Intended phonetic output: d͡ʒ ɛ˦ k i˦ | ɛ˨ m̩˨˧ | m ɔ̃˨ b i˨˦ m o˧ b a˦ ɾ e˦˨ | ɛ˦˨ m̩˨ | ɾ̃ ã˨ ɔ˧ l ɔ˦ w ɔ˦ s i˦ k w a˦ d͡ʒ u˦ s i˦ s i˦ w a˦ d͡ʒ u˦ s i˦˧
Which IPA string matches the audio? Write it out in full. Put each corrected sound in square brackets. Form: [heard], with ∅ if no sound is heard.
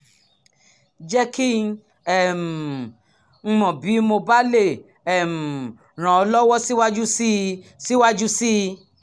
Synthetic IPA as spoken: d͡ʒ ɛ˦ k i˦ | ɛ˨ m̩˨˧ | m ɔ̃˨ b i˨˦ m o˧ b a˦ [l] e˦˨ | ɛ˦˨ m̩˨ | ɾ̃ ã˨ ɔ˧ l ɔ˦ w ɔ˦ s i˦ [∅] w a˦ d͡ʒ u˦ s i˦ s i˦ w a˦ d͡ʒ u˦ s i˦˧